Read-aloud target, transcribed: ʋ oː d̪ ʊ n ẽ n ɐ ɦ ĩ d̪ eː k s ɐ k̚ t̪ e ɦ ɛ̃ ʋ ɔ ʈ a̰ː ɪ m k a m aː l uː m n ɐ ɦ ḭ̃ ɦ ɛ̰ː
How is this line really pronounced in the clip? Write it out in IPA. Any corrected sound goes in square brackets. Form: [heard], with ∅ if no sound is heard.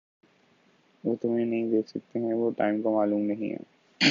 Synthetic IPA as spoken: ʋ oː [t̪] ʊ [m] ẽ n ɐ ɦ ĩ d̪ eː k s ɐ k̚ t̪ e ɦ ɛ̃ ʋ [o] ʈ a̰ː ɪ m k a m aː l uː m n ɐ ɦ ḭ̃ ɦ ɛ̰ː